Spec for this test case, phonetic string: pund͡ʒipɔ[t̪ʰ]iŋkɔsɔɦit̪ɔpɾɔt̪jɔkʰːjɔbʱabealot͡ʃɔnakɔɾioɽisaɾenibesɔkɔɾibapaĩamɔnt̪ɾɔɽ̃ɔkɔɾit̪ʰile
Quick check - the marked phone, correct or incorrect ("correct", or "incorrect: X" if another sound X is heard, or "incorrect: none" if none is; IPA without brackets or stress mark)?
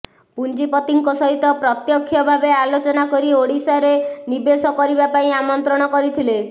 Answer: incorrect: t̪